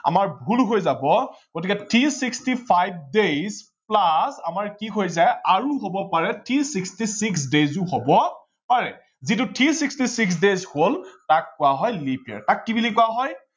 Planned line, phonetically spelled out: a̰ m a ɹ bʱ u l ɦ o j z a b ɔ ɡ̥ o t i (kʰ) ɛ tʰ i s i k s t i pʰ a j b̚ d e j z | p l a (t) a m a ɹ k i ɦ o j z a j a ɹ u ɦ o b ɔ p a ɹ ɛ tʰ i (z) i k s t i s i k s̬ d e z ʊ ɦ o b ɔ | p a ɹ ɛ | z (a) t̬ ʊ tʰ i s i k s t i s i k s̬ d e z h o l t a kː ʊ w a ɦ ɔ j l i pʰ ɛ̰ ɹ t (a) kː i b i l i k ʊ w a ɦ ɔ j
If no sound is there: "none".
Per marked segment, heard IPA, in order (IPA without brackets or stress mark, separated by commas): k, s, s, i, a